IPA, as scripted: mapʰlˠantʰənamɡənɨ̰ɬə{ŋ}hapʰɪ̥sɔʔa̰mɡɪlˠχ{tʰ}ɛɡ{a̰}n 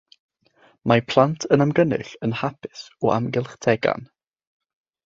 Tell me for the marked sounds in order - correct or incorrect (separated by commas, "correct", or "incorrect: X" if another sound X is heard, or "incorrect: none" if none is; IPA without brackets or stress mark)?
incorrect: n, correct, correct